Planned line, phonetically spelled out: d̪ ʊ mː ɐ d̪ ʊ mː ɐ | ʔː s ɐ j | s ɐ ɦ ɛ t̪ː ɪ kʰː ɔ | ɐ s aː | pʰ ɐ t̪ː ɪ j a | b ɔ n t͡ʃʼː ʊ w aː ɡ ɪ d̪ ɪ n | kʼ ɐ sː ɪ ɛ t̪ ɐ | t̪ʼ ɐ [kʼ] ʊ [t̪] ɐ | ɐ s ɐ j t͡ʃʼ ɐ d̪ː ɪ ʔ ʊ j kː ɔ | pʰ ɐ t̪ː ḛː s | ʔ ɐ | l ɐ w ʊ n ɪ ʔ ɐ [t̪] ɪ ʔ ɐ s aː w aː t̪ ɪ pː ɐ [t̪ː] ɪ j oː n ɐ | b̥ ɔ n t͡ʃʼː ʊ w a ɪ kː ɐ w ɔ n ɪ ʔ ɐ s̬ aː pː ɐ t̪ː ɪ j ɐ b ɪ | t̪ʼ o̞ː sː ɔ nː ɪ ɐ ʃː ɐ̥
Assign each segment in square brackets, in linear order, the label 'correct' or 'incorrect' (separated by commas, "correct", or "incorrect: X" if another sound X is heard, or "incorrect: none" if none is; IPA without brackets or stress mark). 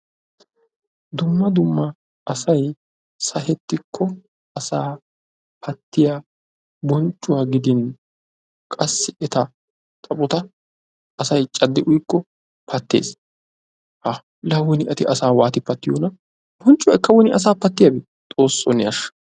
incorrect: pʼ, correct, correct, correct